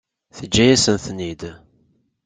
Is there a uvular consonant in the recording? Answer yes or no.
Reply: no